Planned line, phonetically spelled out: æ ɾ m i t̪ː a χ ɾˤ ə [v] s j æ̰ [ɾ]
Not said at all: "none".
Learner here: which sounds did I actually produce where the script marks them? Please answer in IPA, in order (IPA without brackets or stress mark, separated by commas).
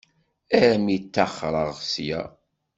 ʁ, none